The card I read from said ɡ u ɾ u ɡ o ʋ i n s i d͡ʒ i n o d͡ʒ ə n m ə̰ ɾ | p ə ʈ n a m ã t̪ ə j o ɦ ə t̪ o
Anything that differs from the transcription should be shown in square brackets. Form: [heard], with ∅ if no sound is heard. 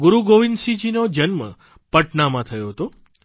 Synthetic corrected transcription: ɡ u ɾ u ɡ o ʋ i n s i d͡ʒ i n o d͡ʒ ə n m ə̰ [∅] | p ə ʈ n a m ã [t̪ʰ] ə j o ɦ ə t̪ o